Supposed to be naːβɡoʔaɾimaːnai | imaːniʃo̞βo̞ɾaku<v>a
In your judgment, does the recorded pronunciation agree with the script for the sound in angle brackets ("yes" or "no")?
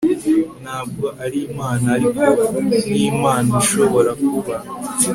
no